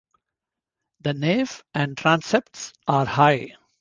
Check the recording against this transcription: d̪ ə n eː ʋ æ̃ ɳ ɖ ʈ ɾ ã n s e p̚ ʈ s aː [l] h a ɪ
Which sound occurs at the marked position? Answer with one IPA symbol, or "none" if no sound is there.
ɾ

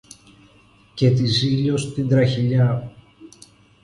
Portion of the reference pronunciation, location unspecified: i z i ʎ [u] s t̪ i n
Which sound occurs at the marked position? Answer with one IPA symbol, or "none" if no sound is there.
o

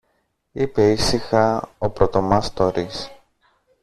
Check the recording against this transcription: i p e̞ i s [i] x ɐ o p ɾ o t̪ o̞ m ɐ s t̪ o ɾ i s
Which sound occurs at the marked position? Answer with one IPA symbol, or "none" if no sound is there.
i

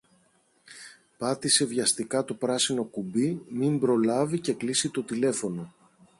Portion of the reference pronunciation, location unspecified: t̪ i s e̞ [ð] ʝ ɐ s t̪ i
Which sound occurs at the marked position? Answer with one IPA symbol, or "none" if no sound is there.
v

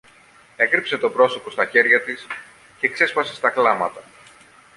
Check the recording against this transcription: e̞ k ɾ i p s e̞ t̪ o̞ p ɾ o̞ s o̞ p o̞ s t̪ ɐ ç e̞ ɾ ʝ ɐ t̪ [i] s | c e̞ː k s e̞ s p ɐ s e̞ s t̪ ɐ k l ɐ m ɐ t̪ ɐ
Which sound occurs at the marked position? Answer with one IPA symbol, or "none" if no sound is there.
i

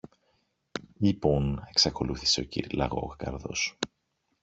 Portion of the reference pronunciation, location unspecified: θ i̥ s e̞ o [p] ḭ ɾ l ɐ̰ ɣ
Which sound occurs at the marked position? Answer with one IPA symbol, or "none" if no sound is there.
c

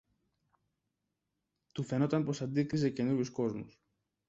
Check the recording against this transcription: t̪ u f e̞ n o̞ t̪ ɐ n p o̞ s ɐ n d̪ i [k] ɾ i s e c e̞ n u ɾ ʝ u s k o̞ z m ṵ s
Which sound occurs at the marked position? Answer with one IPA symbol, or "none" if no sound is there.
k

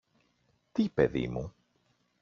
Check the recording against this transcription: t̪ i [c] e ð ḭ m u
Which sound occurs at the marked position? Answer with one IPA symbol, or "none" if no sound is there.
p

